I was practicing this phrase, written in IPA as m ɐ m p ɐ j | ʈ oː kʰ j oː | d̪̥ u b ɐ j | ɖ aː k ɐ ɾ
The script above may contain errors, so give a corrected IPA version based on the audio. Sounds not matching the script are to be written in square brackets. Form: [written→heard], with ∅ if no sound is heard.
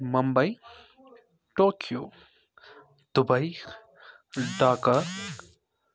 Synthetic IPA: m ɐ m [p→b] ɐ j | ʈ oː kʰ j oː | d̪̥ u b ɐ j | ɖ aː k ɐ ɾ

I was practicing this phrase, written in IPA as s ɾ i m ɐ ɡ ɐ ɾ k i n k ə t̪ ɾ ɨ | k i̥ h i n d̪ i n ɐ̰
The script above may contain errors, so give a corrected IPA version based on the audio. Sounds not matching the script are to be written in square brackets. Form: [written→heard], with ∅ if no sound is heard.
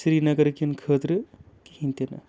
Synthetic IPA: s ɾ i [m→n] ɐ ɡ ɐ ɾ k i n [k→kʰ] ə t̪ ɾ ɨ | k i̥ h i n [d̪→t̪] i n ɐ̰

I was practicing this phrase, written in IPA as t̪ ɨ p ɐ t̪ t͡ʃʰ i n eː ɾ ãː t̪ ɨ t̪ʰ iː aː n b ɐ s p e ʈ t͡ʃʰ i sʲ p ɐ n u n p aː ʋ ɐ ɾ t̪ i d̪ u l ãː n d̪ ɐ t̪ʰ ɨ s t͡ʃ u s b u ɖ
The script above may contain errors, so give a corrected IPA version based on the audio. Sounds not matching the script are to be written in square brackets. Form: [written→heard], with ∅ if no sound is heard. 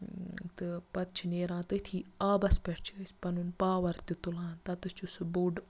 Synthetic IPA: t̪ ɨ p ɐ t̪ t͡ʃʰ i n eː ɾ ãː t̪ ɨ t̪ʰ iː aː [n→∅] b ɐ s p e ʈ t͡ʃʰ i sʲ p ɐ n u n p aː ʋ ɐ ɾ t̪ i [d̪→t̪] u l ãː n [d̪→t̪] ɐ [t̪ʰ→t̪] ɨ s t͡ʃ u s b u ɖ

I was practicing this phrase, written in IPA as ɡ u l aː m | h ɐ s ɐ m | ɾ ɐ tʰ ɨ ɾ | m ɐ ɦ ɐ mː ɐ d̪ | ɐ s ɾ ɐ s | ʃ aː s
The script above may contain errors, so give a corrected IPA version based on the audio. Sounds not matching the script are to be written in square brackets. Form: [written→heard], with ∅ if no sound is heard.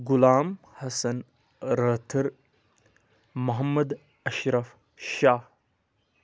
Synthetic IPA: ɡ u l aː m | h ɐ s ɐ [m→n] | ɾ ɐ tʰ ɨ ɾ | m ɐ ɦ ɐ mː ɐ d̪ | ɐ [s→ʃ] ɾ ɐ [s→f] | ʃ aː [s→h]

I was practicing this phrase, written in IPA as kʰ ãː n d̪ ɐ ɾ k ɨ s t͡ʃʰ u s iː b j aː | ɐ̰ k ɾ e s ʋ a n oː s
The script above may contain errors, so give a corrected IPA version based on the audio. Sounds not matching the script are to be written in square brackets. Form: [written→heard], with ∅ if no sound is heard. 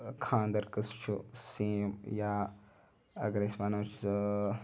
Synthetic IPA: kʰ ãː n d̪ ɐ ɾ k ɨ s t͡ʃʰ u s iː [b→m] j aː | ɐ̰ [k→ɡ] ɾ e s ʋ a n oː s

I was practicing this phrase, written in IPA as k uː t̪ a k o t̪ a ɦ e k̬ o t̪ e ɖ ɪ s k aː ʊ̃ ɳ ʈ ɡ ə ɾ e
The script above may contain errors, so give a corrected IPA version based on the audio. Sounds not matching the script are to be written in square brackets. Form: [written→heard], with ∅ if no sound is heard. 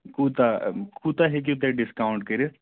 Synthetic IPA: k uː t̪ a k [o→u] t̪ a ɦ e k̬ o t̪ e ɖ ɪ s k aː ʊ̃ ɳ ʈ [ɡ→k] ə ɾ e

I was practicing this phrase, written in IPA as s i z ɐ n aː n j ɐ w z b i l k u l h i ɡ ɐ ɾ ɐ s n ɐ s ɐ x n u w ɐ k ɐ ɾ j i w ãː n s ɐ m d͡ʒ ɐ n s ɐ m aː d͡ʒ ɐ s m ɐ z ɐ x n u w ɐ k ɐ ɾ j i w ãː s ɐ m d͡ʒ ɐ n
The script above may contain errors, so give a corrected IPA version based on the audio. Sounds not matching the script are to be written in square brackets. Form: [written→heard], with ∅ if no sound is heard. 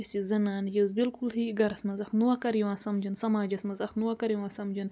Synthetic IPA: s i z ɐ n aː n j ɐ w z b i l k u l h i ɡ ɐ ɾ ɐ s [n→m] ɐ [s→z] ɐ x n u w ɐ k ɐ ɾ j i w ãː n s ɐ m d͡ʒ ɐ n s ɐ m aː d͡ʒ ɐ s m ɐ z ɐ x n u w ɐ k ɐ ɾ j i w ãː s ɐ m d͡ʒ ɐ n

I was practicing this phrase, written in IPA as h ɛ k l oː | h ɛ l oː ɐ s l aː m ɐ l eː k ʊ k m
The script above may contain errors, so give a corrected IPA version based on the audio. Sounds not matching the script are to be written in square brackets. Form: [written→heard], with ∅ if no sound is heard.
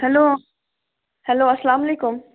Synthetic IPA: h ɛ [k→∅] l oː | h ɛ l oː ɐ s l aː m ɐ l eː k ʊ [k→∅] m

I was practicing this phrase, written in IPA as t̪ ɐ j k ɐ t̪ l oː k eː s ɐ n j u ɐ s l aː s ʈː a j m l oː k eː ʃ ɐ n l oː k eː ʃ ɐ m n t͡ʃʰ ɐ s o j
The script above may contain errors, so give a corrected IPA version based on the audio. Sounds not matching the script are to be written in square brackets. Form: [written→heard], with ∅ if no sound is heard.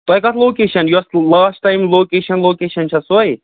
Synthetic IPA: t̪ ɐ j k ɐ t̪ l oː k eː [s→ʃ] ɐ n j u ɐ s l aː s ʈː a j m l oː k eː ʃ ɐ n l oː k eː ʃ ɐ [m→∅] n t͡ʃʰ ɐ s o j

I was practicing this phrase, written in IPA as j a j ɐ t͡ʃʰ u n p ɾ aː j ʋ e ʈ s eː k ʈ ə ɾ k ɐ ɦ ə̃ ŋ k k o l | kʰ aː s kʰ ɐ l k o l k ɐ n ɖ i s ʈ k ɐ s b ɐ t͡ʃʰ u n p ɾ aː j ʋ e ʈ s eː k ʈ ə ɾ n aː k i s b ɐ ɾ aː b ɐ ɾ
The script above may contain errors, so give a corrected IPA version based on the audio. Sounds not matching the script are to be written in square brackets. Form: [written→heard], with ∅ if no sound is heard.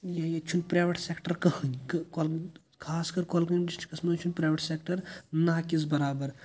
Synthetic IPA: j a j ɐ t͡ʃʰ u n p ɾ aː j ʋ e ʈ s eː k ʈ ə ɾ k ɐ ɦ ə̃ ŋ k k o l | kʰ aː s [kʰ→k] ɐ [l→ɾ] k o l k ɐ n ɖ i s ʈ k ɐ s [b→m] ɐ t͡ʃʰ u n p ɾ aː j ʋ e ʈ s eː k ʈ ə ɾ n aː k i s b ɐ ɾ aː b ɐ ɾ

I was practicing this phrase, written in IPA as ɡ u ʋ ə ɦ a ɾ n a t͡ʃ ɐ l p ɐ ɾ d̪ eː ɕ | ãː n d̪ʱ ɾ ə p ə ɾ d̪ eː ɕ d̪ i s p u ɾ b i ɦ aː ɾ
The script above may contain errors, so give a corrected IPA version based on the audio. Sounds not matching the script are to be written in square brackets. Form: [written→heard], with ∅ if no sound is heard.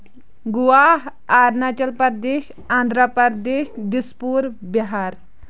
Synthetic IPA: ɡ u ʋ [ə→a] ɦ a ɾ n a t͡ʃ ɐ l p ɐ ɾ d̪ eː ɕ | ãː n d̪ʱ ɾ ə p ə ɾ d̪ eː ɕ d̪ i s p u ɾ b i ɦ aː ɾ

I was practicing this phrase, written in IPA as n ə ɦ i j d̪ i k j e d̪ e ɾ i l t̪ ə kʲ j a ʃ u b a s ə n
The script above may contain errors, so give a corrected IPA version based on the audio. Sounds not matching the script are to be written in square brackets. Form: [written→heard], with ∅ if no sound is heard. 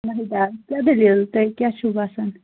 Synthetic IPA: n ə ɦ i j d̪ [i→a] k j [e→a] d̪ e [ɾ→l] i l t̪ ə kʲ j a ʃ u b a s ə n

